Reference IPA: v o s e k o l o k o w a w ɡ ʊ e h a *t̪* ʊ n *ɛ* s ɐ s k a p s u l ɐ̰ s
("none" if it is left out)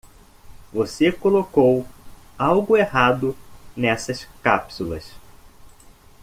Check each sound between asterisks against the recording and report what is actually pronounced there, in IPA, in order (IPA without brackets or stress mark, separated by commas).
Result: d̪, ɛ